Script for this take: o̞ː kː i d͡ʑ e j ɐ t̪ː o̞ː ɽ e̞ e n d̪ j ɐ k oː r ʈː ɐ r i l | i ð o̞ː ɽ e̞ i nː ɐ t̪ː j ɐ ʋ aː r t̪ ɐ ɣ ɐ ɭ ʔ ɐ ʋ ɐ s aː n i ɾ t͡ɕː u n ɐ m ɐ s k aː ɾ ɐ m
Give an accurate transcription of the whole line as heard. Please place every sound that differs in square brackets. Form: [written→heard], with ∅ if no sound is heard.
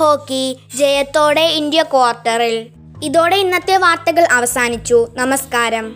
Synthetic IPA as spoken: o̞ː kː i d͡ʑ e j ɐ t̪ː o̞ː ɽ e̞ [e→i] n d̪ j ɐ k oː r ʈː ɐ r i l | i ð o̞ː ɽ e̞ i nː ɐ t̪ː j ɐ ʋ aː r t̪ ɐ ɣ ɐ ɭ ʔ ɐ ʋ ɐ s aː n i [ɾ→∅] t͡ɕː u n ɐ m ɐ s k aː ɾ ɐ m